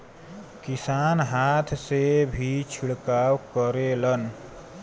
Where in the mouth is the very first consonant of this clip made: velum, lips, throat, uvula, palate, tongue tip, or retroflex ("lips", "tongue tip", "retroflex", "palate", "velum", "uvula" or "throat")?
velum